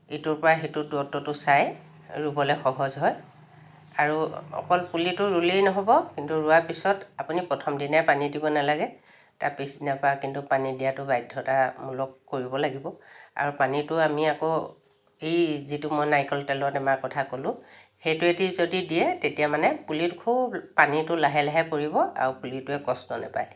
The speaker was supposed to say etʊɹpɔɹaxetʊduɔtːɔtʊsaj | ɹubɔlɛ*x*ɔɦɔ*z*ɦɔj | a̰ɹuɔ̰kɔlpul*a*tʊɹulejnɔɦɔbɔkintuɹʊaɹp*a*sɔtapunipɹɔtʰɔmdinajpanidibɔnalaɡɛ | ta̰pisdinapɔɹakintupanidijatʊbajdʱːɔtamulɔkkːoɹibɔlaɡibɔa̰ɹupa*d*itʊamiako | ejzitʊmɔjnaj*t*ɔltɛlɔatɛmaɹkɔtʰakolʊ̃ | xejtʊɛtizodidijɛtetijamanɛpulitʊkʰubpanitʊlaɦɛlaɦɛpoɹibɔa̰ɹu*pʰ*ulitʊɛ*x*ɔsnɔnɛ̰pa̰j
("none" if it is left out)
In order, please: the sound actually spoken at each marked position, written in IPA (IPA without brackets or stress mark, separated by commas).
x, z, i, i, n, k, p, k